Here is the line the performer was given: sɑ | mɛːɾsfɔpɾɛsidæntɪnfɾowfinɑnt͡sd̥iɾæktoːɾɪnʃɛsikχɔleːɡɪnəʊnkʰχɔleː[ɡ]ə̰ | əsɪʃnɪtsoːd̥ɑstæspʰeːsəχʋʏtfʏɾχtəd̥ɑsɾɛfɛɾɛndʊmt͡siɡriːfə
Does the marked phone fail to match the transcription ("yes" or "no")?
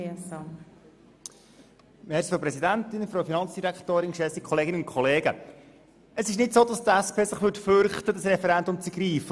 no